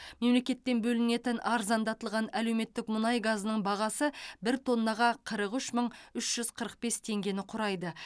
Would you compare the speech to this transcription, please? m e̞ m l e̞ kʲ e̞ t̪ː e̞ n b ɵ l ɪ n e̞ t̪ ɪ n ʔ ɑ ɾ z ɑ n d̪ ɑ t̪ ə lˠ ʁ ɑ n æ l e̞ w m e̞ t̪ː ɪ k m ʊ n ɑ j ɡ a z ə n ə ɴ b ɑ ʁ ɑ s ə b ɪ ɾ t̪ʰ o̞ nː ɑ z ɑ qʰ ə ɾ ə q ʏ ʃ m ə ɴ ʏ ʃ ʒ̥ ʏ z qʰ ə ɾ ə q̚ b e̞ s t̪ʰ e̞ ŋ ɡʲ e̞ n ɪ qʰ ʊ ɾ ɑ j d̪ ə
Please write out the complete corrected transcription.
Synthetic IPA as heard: m e̞ m l e̞ kʲ e̞ t̪ː e̞ n b ɵ l ɪ n e̞ t̪ ɪ n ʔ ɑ ɾ z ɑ n d̪ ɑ t̪ ə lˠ ʁ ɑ n æ l e̞ w m e̞ t̪ː ɪ k m ʊ n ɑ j ɡ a z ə n ə ɴ b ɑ ʁ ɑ s ə b ɪ ɾ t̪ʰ o̞ nː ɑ ʁ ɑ qʰ ə ɾ ə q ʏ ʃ m ə ɴ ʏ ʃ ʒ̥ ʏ z qʰ ə ɾ ə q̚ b e̞ s t̪ʰ e̞ ŋ ɡʲ e̞ n ɪ qʰ ʊ ɾ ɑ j d̪ ə

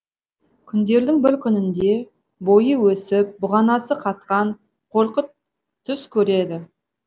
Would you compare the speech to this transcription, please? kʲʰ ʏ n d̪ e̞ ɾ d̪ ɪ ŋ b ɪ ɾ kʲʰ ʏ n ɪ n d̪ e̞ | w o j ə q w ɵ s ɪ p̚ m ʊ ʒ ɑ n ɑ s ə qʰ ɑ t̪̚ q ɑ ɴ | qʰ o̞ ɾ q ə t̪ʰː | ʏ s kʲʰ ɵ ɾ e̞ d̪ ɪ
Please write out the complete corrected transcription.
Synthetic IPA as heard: kʲʰ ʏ n d̪ e̞ ɾ d̪ ɪ ŋ b ɪ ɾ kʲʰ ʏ n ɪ n d̪ e̞ | b o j ə w ɵ s ɪ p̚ b ʊ ʁ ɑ n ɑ s ə qʰ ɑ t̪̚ q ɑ ɴ | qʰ o̞ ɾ q ə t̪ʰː | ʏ s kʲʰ ɵ ɾ e̞ d̪ ɪ

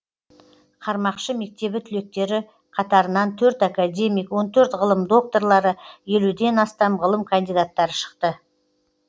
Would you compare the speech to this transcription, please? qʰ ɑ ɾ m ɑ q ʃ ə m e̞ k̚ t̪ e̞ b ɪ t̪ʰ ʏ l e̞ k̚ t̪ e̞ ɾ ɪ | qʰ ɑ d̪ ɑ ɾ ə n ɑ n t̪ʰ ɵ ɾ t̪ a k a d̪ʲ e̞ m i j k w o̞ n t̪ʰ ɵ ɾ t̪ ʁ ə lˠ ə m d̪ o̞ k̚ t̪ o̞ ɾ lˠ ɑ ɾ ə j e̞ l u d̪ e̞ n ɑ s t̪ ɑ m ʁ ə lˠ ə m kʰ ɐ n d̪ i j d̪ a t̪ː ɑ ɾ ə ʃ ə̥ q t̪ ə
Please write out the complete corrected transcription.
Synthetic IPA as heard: qʰ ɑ ɾ m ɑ q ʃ ə m e̞ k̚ t̪ e̞ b ɪ t̪ʰ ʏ l e̞ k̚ t̪ e̞ ɾ ɪ | qʰ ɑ t̪ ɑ ɾ ə n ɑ n t̪ʰ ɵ ɾ t̪ a k a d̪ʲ e̞ m i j k w o̞ n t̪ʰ ɵ ɾ t̪ ʁ ə lˠ ə m d̪ o̞ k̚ t̪ o̞ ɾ lˠ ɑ ɾ ə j e̞ l u d̪ e̞ n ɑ s t̪ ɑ m ʁ ə lˠ ə m kʰ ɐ n d̪ i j d̪ a t̪ː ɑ ɾ ə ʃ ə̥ q t̪ ə

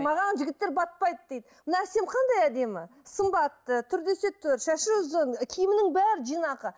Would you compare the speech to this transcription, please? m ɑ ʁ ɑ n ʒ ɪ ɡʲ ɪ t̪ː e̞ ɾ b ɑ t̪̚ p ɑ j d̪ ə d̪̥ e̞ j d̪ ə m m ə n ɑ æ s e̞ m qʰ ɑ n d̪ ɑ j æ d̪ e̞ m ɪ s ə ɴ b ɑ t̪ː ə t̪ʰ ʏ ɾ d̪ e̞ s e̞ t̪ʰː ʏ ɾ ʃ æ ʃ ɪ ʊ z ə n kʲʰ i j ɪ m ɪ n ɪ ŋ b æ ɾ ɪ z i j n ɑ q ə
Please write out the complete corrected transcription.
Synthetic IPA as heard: m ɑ ʁ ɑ n ʒ ɪ ɡʲ ɪ t̪ː e̞ ɾ b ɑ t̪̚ p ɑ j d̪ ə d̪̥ e̞ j d̪ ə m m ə n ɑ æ s e̞ m qʰ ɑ n d̪ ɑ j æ d̪ e̞ m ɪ s ə m b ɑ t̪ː ə t̪ʰ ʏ ɾ d̪ e̞ s e̞ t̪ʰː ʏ ɾ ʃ æ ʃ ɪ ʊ z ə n kʲʰ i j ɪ m ɪ n ɪ ŋ b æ ɾ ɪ ʒ i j n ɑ q ə

